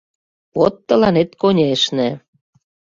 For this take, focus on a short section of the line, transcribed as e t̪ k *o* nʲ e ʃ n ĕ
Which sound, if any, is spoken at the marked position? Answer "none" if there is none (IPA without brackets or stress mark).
o